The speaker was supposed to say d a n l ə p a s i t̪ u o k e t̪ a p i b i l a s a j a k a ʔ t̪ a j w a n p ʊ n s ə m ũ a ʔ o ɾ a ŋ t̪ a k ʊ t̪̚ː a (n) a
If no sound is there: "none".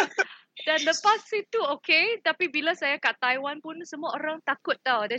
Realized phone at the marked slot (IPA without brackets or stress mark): d